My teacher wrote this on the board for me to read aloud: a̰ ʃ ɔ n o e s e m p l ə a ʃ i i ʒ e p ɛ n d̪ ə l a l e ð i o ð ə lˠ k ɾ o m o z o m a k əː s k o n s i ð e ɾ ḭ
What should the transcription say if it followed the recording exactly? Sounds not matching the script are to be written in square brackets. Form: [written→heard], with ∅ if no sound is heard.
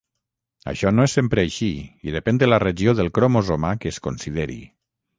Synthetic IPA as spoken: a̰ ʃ ɔ n o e s e m p [l→ɾ] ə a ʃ i i [ʒ→ð] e p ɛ n d̪ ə l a [l→r] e [ð→ʒ] i o ð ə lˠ k ɾ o m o z o m a k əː s k o n s i ð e ɾ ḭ